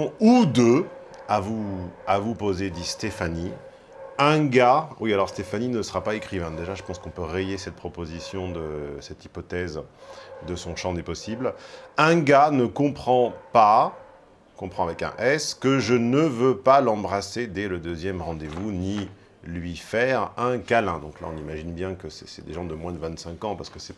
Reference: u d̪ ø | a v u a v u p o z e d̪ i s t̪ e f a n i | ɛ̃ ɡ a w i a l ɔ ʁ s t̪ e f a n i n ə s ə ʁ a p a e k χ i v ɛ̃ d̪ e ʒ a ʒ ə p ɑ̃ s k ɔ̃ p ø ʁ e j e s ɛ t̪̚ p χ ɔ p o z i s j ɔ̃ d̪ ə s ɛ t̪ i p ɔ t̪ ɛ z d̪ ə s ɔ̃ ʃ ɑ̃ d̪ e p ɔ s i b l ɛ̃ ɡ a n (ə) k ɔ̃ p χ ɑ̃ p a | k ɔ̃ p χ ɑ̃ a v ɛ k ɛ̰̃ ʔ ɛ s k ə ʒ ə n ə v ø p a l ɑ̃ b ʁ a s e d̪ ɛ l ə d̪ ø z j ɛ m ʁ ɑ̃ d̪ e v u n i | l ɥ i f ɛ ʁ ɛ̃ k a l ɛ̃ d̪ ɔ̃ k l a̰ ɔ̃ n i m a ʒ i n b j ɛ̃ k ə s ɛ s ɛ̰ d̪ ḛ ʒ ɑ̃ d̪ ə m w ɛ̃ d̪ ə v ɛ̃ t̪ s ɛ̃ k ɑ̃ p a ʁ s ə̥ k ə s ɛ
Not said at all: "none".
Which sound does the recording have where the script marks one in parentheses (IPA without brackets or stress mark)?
ə